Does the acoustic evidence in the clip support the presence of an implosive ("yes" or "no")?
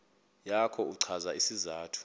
no